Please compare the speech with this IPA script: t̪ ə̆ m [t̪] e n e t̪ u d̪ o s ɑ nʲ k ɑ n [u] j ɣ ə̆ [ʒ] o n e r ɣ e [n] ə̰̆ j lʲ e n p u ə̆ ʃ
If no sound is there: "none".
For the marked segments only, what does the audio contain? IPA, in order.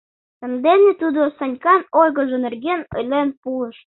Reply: d̪, o, ʒ, n

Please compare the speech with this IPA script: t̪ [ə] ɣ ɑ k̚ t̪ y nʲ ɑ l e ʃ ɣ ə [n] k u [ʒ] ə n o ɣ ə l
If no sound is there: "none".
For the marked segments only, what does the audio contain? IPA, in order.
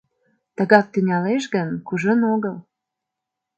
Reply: ə, n, ʒ

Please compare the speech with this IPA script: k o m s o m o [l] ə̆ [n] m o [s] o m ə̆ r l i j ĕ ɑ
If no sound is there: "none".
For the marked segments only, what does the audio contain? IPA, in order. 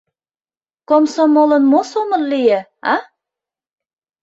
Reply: l, n, s

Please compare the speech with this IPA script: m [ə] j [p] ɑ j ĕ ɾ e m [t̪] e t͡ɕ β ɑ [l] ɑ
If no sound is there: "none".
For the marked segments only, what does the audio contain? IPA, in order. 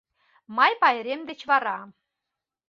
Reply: ɑ, p, d̪, ɾ

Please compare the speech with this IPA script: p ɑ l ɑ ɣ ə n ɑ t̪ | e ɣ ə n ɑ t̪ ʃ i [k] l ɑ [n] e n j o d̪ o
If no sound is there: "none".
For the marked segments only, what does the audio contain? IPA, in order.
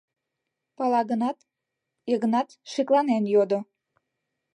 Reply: k, n

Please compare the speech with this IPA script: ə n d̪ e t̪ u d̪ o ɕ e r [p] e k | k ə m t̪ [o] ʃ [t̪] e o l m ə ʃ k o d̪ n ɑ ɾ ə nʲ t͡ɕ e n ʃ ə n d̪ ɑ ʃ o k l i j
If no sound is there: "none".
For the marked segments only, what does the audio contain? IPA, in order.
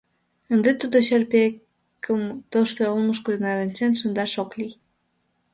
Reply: p, o, t̪

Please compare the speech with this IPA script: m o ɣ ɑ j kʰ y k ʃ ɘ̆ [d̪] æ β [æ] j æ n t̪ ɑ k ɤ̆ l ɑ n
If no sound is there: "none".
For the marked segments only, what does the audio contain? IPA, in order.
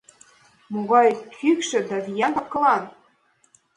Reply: d̪, i

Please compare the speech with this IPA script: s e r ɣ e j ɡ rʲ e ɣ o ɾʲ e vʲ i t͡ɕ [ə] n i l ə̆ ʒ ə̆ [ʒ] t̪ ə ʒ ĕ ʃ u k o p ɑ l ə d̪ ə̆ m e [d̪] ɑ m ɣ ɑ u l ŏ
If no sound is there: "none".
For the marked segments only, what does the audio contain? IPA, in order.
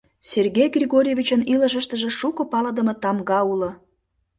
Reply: ə, ʃ, t̪

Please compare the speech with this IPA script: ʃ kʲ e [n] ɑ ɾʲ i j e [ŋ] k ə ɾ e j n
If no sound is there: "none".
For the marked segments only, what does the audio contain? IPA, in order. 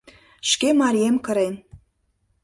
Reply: m, m

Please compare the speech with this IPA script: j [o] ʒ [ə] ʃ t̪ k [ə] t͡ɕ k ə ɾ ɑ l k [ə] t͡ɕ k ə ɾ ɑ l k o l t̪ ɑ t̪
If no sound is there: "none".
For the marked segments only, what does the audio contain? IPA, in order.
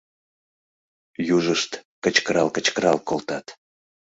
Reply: u, ə, ə, ə

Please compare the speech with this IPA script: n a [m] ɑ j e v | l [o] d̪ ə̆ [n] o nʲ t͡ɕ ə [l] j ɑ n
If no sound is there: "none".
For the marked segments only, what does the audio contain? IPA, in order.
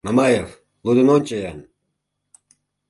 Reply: m, u, n, none

